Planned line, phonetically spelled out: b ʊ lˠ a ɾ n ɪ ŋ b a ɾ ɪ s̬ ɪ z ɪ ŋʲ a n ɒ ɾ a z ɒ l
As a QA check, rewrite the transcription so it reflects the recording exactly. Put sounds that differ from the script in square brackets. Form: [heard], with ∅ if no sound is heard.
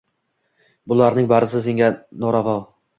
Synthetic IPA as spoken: b ʊ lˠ a ɾ n ɪ ŋ b a ɾ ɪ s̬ ɪ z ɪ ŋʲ a n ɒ ɾ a [v] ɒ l